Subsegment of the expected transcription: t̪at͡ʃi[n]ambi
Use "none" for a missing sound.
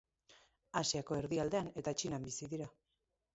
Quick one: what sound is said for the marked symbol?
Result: n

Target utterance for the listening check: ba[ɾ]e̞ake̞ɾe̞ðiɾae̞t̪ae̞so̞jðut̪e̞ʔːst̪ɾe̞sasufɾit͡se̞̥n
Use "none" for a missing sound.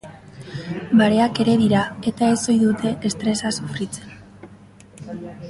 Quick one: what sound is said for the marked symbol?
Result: ɾ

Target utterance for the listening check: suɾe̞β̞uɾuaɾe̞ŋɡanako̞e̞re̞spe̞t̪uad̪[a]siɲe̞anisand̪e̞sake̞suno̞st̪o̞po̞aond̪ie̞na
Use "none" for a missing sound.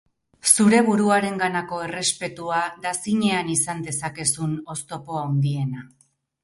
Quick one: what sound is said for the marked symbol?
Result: a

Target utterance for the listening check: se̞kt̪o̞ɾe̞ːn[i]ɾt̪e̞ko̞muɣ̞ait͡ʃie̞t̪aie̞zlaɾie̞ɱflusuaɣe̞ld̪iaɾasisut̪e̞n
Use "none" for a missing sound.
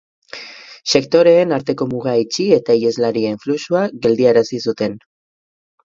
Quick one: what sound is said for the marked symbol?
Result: a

